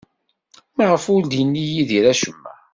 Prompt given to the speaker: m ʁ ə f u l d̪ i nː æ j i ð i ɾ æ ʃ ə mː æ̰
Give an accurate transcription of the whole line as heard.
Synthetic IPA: m ʁ ə f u l d̪ i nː i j i ð i ɾ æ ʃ ə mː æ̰